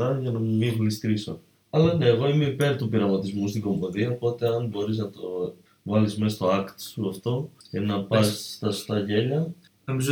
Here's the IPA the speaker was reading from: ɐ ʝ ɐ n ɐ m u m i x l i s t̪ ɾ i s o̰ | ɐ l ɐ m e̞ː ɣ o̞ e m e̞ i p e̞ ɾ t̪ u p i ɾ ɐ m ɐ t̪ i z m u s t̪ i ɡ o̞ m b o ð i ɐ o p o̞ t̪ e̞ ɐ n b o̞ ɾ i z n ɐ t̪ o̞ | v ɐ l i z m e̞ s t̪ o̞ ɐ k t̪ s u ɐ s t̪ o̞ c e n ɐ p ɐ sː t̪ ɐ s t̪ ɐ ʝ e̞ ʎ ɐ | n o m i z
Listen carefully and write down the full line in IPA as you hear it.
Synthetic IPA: ɐ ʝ ɐ n ɐ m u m i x l i s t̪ ɾ i s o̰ | ɐ l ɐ n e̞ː ɣ o̞ i m e̞ i p e̞ ɾ t̪ u p i ɾ ɐ m ɐ t̪ i z m u s t̪ i ɡ o̞ m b o ð i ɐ o p o̞ t̪ e̞ ɐ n b o̞ ɾ i z n ɐ t̪ o̞ | v ɐ l i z m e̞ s t̪ o̞ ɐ k t̪ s u ɐ f t̪ o̞ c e n ɐ p ɐ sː t̪ ɐ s t̪ ɐ ʝ e̞ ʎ ɐ | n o m i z